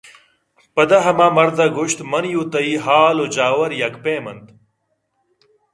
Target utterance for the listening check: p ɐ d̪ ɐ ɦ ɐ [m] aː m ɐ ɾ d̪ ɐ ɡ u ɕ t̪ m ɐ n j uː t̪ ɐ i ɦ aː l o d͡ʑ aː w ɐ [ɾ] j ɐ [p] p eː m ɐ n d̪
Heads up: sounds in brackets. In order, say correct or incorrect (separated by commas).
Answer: correct, correct, incorrect